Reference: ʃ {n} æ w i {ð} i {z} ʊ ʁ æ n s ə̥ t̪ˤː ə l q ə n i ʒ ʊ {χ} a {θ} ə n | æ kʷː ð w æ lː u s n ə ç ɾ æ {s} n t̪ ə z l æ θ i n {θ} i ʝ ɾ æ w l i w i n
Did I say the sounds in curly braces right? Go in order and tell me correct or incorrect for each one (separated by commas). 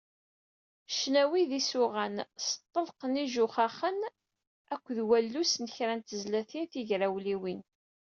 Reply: correct, correct, incorrect, correct, incorrect, incorrect, correct